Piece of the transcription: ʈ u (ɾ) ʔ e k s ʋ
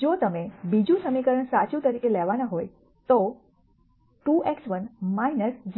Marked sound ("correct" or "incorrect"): incorrect